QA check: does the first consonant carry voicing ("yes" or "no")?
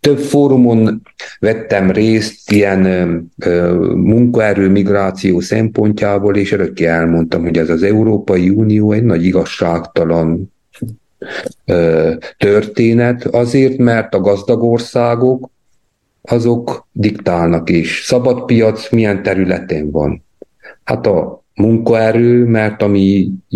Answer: no